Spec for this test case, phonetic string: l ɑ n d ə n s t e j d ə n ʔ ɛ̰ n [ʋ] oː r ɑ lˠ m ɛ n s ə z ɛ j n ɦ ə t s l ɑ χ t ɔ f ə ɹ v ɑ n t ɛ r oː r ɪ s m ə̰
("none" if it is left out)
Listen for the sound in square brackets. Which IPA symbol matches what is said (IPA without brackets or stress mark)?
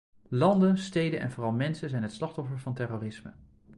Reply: v